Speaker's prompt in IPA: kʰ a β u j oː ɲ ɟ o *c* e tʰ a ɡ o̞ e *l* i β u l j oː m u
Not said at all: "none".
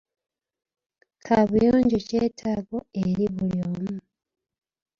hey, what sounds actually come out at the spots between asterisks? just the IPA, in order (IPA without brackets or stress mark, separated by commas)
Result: c, ɾ